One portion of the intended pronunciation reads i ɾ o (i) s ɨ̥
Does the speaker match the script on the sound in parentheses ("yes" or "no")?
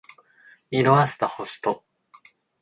no